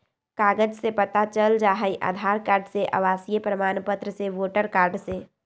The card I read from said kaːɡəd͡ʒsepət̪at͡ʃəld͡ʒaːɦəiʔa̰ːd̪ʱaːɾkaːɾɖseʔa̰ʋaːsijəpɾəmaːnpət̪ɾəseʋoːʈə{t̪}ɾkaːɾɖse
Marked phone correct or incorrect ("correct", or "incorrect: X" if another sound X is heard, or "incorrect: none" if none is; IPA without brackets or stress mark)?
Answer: incorrect: none